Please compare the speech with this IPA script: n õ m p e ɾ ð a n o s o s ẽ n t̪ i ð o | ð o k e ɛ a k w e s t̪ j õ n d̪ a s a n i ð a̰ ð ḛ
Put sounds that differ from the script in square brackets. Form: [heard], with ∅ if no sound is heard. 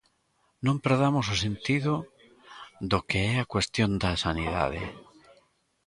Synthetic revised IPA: n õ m p e ɾ ð a [m] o s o s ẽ n t̪ i ð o | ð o k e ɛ a k w e s t̪ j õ n d̪ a s a n i ð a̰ ð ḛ